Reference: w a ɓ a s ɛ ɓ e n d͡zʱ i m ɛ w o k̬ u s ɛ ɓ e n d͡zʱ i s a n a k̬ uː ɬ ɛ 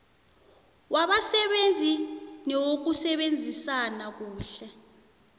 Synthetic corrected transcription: w a ɓ a s ɛ ɓ e n d͡zʱ i n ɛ w o k̬ u s ɛ ɓ e n d͡zʱ i s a n a k̬ uː ɬ ɛ